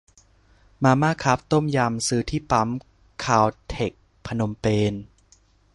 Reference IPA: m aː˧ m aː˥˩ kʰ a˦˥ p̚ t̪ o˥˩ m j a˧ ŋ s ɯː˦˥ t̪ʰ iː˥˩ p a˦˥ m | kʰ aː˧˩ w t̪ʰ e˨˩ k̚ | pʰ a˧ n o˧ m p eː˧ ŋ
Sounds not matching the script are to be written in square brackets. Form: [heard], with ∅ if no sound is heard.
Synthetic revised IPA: m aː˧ m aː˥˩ kʰ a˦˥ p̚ t̪ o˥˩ m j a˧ [m] s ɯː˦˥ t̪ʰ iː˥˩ p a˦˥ m | kʰ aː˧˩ w t̪ʰ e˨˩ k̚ | pʰ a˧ n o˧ m p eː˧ [n]